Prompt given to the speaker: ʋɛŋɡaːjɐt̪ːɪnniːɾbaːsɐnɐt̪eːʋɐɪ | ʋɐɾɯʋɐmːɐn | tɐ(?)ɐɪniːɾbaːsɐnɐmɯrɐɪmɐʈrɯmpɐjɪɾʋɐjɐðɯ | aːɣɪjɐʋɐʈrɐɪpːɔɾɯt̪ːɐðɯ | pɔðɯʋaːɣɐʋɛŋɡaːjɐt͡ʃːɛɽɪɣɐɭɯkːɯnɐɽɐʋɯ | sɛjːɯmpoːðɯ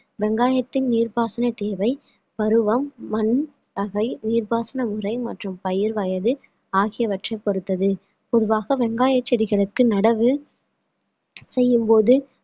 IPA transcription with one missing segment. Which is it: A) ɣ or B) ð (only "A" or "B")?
A